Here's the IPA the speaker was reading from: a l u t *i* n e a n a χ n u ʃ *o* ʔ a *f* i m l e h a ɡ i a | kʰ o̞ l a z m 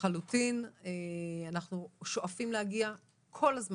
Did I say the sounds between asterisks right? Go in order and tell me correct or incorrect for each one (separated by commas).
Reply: correct, correct, correct